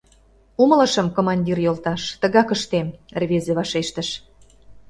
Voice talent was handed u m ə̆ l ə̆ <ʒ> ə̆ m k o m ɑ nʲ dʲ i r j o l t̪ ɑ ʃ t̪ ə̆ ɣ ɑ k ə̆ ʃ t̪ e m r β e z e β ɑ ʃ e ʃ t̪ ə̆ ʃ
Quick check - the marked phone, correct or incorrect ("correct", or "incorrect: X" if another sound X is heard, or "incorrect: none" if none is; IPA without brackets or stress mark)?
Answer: incorrect: ʃ